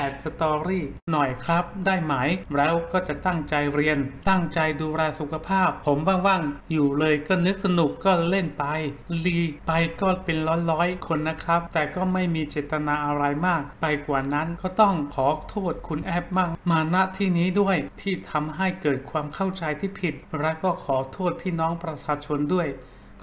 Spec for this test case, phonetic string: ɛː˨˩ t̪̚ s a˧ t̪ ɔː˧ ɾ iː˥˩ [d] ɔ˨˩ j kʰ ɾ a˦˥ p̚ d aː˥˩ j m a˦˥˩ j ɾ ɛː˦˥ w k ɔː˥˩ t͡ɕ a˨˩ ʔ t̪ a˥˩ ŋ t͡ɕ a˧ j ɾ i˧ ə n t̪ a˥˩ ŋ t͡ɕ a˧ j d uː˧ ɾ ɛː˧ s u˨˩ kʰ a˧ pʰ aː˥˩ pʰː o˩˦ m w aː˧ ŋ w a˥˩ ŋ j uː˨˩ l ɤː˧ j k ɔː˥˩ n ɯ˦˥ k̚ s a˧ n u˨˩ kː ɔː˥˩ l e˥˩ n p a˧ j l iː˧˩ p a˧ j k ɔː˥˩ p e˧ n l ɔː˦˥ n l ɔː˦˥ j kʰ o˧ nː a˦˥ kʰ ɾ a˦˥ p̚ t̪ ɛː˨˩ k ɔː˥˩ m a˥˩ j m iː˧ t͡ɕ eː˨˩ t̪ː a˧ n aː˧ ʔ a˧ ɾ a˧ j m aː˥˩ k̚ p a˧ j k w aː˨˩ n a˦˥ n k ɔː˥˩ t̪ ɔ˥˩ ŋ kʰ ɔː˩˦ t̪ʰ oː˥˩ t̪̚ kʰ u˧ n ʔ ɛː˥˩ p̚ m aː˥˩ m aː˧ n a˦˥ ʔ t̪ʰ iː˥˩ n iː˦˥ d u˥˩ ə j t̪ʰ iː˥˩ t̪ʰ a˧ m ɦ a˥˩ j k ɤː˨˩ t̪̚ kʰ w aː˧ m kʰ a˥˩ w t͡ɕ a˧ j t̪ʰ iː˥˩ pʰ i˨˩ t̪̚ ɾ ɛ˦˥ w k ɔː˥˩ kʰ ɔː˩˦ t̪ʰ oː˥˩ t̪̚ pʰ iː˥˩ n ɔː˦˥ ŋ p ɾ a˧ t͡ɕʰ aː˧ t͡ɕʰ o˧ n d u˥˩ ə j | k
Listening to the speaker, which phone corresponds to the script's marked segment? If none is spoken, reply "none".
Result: n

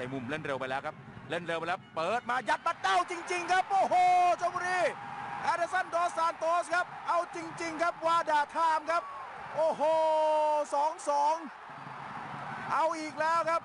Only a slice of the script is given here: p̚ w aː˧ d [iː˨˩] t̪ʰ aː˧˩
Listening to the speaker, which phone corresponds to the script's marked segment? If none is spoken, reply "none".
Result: aː˨˩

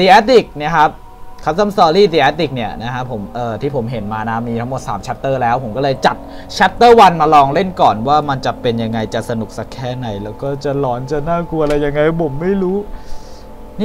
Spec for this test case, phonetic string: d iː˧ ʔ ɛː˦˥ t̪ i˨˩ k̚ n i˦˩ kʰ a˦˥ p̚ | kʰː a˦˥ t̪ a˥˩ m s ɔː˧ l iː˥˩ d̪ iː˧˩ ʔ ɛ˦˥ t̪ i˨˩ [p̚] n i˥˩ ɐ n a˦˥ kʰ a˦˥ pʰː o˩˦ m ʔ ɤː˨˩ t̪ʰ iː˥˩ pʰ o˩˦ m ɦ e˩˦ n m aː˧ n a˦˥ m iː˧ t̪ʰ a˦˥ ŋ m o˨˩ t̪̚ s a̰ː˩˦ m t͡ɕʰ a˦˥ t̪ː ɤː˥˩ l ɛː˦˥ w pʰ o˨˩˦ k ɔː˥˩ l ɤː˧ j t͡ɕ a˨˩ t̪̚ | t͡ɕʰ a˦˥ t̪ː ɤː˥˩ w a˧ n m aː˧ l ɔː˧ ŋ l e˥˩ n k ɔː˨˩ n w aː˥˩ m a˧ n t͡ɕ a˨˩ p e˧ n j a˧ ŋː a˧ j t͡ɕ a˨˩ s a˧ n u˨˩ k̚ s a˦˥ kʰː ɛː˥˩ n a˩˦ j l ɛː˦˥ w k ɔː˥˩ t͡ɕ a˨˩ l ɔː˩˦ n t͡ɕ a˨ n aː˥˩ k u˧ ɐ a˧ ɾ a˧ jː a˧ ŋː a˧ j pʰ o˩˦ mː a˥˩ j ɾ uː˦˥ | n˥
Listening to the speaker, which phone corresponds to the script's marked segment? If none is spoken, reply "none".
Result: k̚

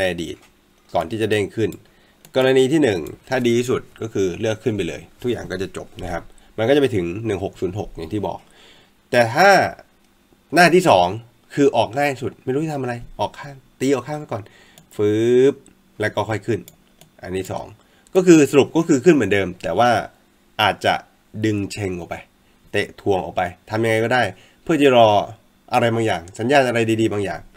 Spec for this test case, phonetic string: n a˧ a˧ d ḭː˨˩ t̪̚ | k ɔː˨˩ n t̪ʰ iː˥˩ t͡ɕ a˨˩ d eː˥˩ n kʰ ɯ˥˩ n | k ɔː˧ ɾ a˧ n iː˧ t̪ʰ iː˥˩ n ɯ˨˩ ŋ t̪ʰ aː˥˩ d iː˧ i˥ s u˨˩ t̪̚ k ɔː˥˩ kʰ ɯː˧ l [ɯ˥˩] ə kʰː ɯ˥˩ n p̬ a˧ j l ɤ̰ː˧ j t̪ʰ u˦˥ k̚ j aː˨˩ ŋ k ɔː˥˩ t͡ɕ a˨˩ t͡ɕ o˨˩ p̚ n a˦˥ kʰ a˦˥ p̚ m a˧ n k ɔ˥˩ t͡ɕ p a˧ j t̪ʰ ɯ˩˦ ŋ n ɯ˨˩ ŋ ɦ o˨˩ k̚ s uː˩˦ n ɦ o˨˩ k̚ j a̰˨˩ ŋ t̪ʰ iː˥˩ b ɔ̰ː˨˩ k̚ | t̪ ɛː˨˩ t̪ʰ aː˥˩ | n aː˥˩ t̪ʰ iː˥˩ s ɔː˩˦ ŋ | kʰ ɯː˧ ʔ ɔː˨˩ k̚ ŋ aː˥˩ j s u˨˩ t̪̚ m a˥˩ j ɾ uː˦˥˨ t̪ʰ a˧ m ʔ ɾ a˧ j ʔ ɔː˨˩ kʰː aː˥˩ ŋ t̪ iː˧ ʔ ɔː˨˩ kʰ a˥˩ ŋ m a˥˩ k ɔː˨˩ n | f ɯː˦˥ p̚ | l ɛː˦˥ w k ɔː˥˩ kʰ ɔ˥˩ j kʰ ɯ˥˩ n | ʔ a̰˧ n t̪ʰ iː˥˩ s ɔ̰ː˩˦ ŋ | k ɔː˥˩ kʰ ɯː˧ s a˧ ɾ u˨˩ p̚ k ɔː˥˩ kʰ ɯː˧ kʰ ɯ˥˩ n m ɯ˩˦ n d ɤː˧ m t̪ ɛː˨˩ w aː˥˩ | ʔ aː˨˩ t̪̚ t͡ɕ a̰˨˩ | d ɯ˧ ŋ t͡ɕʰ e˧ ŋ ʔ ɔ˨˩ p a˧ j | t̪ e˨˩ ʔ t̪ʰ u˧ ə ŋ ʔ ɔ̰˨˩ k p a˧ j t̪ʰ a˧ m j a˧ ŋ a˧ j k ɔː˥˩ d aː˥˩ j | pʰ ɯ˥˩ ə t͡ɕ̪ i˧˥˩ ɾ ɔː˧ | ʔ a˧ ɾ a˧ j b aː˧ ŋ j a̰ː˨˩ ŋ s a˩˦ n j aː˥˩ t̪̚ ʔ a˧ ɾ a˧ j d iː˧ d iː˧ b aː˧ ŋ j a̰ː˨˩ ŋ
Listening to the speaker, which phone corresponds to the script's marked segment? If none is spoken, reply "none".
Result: ɯ˥˩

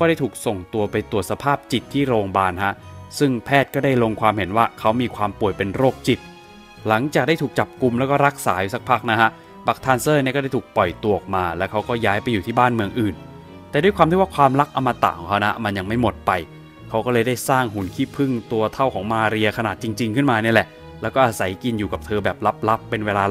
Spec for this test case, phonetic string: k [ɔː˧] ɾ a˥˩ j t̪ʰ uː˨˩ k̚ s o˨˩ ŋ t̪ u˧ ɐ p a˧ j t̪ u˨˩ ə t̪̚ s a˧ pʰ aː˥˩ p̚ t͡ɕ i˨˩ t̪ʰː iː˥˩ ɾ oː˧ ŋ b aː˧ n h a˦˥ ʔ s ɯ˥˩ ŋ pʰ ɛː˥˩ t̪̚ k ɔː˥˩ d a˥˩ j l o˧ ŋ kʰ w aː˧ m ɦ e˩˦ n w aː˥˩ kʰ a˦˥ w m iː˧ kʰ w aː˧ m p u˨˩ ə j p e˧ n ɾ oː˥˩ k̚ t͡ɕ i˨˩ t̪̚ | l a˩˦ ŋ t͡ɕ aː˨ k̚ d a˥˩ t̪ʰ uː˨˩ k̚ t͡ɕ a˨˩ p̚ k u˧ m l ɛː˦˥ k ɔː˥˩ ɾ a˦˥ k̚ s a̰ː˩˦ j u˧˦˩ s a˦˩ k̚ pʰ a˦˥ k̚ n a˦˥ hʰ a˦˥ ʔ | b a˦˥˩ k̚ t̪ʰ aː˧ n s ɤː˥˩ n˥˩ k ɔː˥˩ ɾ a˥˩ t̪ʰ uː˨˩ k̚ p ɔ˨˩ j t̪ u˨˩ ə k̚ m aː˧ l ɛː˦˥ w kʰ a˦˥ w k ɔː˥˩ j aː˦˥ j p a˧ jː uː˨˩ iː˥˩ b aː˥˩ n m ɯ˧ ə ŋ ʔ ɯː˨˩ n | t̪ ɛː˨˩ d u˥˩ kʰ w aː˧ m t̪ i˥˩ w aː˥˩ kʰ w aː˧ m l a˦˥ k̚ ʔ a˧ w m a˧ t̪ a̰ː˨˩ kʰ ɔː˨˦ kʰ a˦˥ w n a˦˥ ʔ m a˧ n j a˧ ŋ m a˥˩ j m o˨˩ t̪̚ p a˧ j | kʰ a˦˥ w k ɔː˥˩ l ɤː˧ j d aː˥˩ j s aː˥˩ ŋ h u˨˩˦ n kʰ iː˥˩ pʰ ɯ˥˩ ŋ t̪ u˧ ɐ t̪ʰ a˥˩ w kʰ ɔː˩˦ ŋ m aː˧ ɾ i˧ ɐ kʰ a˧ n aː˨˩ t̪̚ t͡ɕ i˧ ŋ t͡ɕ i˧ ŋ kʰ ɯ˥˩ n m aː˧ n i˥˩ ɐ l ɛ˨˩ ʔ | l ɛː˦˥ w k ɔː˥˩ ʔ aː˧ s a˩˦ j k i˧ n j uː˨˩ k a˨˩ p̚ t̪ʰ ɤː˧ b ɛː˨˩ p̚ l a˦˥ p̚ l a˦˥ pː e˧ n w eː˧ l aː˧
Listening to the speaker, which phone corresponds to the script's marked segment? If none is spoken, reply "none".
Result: ɔː˥˩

